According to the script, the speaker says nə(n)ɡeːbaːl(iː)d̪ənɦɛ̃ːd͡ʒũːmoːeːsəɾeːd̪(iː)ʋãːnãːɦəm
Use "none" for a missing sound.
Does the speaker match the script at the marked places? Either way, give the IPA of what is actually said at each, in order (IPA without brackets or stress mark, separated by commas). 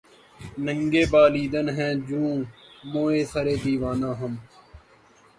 ŋ, iː, iː